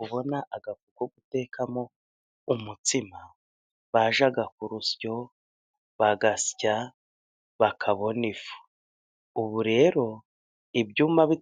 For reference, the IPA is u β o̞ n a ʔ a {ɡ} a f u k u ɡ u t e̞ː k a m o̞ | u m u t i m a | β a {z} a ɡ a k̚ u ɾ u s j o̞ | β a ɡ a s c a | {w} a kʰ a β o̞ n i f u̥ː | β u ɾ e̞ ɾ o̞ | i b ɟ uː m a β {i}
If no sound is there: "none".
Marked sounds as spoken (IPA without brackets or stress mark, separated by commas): ɡ, ʒ, β, i